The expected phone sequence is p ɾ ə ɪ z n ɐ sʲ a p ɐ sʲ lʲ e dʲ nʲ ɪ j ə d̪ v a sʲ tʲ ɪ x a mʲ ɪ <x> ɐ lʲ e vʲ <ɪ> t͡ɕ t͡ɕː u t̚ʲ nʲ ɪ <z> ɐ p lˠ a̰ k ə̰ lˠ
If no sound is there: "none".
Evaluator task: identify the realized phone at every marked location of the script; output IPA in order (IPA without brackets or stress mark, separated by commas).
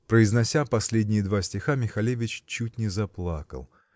x, ɪ, z